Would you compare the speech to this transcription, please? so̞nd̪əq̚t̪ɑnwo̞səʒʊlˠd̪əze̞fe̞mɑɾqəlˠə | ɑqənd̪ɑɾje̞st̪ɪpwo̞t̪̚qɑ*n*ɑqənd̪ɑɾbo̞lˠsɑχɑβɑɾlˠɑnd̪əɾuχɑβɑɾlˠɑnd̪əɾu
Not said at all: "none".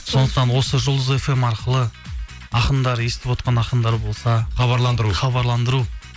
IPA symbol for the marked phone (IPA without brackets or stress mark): n